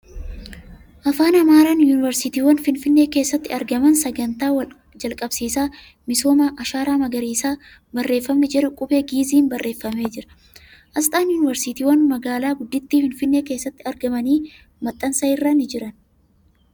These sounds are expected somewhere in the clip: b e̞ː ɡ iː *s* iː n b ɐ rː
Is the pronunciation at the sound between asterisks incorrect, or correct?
incorrect